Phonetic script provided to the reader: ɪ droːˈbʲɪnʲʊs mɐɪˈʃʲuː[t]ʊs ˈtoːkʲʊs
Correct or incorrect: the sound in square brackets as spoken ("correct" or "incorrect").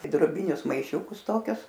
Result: incorrect